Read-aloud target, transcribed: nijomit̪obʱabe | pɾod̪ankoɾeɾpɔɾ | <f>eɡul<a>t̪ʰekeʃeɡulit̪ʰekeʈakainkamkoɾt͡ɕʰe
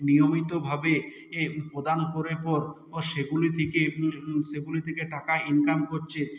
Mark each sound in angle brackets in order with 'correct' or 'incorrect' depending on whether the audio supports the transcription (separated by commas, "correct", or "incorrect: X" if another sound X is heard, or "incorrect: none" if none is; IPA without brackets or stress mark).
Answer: incorrect: ʃ, incorrect: i